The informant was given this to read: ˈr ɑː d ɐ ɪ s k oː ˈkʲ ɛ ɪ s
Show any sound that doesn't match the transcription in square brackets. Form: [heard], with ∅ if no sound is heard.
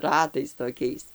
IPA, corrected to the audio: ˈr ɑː [t] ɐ ɪ s [t] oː ˈkʲ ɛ ɪ s

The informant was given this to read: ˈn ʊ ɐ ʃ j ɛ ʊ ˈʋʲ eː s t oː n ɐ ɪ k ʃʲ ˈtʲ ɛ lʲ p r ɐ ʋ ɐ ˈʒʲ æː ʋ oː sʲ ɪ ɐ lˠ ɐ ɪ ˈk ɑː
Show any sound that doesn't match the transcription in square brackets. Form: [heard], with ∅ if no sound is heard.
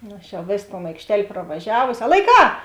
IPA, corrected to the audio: ˈn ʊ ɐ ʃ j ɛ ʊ ˈʋʲ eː s t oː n ɐ ɪ k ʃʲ ˈtʲ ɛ lʲ p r ɐ ʋ ɐ ˈʒʲ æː ʋ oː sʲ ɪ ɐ lˠ ɐ ɪ ˈk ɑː

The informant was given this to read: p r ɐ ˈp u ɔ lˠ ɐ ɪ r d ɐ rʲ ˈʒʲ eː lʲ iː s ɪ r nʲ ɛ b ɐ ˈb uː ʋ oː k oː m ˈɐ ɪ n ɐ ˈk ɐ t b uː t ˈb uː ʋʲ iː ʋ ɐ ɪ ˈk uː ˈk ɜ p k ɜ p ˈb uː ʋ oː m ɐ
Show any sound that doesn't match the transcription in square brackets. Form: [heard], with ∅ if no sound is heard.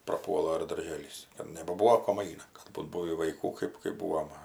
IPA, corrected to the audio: p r ɐ ˈp u ɔ lˠ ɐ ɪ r d ɐ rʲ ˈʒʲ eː lʲ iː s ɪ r nʲ ɛ b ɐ ˈb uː ʋ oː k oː m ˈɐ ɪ n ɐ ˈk ɐ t b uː t ˈb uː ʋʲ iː ʋ ɐ ɪ ˈk uː ˈk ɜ p k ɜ p ˈb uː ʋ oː m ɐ

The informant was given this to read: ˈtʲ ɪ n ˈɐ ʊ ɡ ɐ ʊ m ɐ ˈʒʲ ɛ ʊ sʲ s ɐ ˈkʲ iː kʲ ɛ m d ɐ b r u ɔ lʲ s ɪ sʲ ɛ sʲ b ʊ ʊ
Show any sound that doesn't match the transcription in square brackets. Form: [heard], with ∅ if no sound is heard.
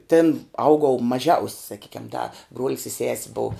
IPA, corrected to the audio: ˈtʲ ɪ n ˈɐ ʊ ɡ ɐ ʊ m ɐ ˈʒʲ ɛ ʊ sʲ s ɐ ˈkʲ iː kʲ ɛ m d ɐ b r u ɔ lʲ s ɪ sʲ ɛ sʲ b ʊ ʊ

